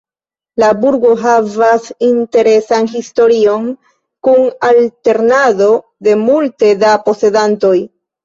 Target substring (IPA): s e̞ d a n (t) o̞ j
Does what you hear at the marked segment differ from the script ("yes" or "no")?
no